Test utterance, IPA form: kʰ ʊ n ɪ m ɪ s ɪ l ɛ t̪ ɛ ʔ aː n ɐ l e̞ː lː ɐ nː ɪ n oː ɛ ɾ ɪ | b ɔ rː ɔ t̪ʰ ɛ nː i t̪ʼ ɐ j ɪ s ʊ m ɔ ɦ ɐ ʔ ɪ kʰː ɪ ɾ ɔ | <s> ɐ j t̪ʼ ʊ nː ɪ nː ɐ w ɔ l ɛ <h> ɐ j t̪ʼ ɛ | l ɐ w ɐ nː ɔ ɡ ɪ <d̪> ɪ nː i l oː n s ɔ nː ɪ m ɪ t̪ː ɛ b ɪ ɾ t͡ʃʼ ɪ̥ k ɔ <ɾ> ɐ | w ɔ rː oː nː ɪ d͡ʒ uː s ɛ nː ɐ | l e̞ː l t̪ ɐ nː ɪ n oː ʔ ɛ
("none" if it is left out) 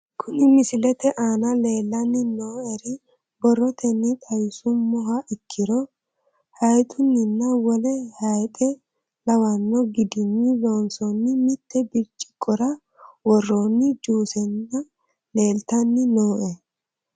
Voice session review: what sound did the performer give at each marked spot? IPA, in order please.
h, h, d̪, ɾ

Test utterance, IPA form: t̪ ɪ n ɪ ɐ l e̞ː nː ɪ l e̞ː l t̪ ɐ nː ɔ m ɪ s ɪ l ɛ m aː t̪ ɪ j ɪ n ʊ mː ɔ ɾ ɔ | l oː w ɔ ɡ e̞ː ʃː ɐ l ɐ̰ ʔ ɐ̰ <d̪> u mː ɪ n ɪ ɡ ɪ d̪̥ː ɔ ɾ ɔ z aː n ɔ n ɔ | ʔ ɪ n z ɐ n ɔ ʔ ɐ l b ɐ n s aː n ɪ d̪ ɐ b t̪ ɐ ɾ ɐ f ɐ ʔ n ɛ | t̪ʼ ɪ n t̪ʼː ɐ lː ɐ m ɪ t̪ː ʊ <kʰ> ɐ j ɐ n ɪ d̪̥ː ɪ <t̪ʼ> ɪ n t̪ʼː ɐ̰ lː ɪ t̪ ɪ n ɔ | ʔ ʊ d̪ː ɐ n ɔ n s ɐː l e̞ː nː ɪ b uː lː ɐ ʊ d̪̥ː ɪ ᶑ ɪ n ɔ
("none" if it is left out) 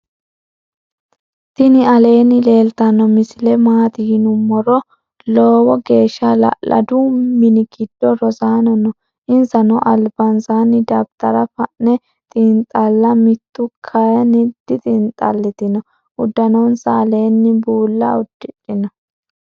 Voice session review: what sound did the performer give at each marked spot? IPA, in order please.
d̪, kʰ, t̪ʼ

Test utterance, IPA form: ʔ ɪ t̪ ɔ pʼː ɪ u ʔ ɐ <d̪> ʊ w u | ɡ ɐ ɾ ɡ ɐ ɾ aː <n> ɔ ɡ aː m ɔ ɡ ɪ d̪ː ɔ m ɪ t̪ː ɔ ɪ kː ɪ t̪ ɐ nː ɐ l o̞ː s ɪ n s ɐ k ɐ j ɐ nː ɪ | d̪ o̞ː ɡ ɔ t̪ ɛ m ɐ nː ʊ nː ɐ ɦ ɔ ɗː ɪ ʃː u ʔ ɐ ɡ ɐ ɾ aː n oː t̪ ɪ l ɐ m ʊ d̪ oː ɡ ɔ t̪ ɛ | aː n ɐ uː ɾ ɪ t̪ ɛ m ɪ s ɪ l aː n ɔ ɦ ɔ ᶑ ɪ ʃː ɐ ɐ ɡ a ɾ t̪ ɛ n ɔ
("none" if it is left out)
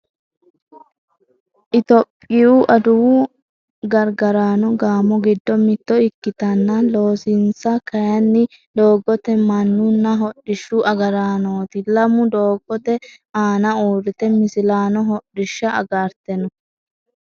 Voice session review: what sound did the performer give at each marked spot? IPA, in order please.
d̪, n

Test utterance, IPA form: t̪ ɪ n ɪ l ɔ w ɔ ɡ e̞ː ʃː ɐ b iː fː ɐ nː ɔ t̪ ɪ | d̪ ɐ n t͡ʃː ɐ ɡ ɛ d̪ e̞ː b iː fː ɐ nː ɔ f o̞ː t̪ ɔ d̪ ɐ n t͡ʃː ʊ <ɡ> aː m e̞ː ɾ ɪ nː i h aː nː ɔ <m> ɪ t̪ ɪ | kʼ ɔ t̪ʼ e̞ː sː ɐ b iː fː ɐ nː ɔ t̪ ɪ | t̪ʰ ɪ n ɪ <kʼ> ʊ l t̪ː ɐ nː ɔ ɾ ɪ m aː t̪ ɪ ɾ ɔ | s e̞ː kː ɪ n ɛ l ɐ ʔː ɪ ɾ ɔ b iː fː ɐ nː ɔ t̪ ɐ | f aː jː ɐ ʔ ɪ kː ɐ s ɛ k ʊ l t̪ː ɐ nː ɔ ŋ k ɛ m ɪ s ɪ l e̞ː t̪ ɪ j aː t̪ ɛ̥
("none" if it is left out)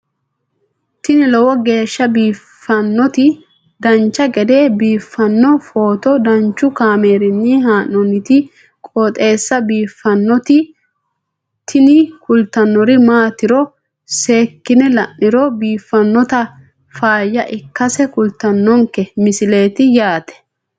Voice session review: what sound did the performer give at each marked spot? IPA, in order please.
k, n, k

